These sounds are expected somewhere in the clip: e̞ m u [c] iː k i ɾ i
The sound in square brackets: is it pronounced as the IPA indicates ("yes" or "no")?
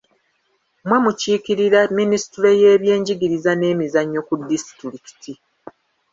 yes